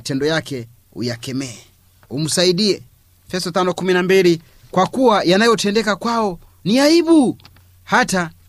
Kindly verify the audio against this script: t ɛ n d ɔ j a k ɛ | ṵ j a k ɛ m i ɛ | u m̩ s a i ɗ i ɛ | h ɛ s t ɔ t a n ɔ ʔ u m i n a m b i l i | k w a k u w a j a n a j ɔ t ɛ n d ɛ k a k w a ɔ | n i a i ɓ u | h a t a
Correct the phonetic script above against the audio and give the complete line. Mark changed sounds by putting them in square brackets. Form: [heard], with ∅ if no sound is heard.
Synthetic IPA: t ɛ n d ɔ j a k ɛ | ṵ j a k ɛ m [ɛ] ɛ | u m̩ s a i ɗ i ɛ | [f] ɛ s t ɔ t a n ɔ [k] u m i n a m b i l i | k w a k u w a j a n a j ɔ t ɛ n d ɛ k a k w a ɔ | n i a i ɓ u | h a t a